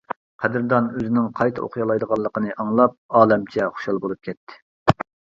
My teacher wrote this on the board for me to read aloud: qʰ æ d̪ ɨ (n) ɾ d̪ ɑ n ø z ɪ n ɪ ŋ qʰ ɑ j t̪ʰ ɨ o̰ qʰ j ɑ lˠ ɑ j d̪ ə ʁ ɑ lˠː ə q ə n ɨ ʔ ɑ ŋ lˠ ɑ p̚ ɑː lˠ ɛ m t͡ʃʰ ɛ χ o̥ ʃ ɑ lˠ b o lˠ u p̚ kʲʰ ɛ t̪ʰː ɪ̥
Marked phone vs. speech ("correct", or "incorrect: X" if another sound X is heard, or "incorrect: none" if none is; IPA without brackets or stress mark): incorrect: none